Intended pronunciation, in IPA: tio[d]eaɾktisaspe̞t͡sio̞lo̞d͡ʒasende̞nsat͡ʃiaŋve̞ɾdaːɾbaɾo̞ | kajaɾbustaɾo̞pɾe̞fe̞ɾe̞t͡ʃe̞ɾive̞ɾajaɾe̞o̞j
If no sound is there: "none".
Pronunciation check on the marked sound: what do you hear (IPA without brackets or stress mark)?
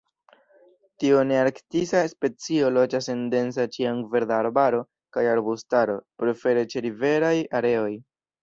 n